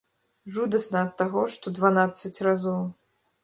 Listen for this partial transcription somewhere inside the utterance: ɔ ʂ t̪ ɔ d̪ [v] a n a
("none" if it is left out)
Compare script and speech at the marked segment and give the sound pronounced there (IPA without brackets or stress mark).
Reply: v